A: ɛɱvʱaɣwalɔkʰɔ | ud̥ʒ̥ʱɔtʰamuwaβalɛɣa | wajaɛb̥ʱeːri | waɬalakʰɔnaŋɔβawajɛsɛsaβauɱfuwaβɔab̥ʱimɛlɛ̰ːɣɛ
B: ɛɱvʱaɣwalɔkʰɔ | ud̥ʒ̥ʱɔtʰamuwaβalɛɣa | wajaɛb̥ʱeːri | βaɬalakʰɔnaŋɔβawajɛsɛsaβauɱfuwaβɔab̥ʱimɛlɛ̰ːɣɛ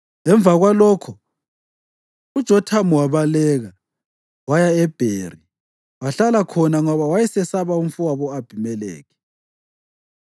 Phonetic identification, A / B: A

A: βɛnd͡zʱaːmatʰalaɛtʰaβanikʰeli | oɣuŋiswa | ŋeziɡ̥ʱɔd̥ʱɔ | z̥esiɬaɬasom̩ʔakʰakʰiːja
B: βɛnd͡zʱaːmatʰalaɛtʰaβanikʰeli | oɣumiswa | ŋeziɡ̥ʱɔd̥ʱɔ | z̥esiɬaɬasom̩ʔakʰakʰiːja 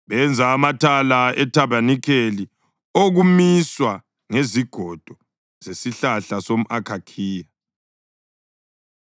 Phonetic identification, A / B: B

